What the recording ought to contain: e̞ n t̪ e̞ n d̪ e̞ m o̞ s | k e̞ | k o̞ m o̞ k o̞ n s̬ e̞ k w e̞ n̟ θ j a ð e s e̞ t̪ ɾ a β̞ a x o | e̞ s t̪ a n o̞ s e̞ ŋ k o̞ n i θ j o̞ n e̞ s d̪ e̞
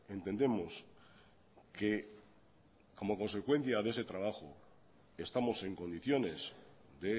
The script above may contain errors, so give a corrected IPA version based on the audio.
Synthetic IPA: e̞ n t̪ e̞ n d̪ e̞ m o̞ s | k e̞ | k o̞ m o̞ k o̞ n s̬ e̞ k w e̞ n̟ θ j a ð e s e̞ t̪ ɾ a β̞ a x o | e̞ s t̪ a m o̞ s e̞ ŋ k o̞ n i θ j o̞ n e̞ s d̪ e̞

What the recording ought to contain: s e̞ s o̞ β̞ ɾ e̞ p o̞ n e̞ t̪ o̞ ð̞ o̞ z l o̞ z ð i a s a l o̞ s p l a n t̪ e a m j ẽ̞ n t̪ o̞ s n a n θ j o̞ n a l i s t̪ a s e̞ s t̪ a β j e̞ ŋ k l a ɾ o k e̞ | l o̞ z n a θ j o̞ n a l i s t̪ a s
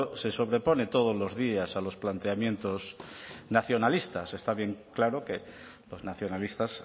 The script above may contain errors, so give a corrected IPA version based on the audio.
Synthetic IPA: s e̞ s o̞ β̞ ɾ e̞ p o̞ n e̞ t̪ o̞ ð̞ o̞ z l o̞ z ð i a s a l o̞ s p l a n t̪ e a m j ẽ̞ n t̪ o̞ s n a θ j o̞ n a l i s t̪ a s e̞ s t̪ a β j e̞ ŋ k l a ɾ o k e̞ | l o̞ z n a θ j o̞ n a l i s t̪ a s

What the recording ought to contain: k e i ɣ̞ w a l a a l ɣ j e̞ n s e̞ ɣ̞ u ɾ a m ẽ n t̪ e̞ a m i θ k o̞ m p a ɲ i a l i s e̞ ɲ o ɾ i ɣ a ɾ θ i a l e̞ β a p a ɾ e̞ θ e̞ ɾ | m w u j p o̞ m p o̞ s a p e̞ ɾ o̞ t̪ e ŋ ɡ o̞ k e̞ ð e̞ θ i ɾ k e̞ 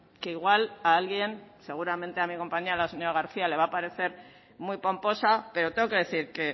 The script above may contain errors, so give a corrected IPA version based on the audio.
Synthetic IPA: k e i ɣ̞ w a l a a l ɣ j e̞ n s e̞ ɣ̞ u ɾ a m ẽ n t̪ e̞ a m i k o̞ m p a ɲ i a l a s e̞ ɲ o ɾ a ɣ a ɾ θ i a l e̞ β a p a ɾ e̞ θ e̞ ɾ | m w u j p o̞ m p o̞ s a p e̞ ɾ o̞ t̪ e ŋ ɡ o̞ k e̞ ð e̞ θ i ɾ k e̞

